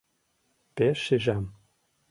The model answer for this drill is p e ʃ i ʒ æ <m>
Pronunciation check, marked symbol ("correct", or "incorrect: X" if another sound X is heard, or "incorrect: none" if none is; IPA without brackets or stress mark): correct